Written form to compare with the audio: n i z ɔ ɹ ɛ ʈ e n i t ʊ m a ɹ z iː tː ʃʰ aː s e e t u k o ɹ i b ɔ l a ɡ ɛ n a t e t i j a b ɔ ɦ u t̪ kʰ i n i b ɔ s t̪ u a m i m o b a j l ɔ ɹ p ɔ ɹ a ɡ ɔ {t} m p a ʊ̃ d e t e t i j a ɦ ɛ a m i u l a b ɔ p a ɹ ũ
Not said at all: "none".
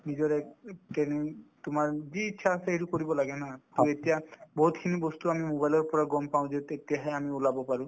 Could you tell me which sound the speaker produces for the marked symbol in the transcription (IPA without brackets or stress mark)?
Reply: none